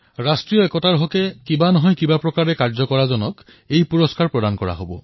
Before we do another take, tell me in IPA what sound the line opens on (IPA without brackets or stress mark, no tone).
ɹ